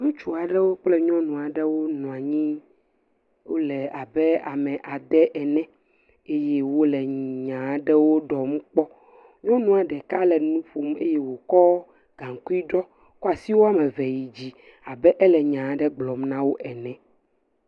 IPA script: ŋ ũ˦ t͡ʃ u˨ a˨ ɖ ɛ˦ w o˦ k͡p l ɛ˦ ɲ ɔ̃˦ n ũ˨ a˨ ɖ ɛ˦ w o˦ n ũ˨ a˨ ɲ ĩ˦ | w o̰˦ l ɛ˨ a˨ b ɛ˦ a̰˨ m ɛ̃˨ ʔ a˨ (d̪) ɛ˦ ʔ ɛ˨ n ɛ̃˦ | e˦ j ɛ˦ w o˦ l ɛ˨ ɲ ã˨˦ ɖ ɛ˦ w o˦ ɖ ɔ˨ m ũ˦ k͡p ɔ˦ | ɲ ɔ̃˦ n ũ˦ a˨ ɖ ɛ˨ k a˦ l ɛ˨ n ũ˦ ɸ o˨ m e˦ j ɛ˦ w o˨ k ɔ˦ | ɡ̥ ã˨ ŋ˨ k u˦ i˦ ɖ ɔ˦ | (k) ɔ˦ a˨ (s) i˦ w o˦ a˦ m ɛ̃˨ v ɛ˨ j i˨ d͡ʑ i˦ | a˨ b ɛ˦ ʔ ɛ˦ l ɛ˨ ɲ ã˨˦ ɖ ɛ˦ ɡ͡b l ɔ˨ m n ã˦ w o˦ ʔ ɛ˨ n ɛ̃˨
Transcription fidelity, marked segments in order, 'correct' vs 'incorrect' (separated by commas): correct, correct, correct